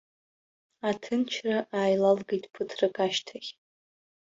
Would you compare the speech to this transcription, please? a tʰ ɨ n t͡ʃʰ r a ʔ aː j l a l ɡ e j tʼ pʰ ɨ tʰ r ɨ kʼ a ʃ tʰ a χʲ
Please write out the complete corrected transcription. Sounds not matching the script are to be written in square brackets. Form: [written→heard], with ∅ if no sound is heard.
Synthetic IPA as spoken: a tʰ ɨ n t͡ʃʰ r a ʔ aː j l a l ɡ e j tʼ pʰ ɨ tʰ r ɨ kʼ a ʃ tʰ a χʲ